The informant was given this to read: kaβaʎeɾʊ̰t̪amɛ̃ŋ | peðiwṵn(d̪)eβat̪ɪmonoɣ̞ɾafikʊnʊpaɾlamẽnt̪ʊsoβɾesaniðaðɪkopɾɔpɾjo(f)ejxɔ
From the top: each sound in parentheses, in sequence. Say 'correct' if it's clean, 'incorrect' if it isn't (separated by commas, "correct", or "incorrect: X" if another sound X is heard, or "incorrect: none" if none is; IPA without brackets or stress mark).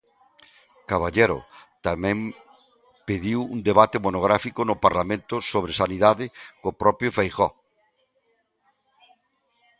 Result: correct, correct